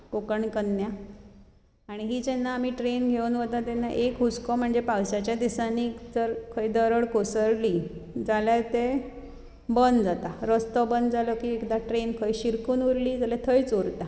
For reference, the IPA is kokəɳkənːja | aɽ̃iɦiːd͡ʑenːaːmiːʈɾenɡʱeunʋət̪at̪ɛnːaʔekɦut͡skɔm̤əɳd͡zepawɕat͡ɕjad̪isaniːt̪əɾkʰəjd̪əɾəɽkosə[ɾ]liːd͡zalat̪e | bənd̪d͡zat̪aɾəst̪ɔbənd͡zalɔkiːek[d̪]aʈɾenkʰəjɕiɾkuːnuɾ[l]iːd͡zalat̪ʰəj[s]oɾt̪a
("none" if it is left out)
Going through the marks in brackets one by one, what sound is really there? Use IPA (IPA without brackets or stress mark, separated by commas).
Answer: ɾ, d̪, l, t͡s